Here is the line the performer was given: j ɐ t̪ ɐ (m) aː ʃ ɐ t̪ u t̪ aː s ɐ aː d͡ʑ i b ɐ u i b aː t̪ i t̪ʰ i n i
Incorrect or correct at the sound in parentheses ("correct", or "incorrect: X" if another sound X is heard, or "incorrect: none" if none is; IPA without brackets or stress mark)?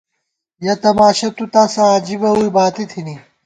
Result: correct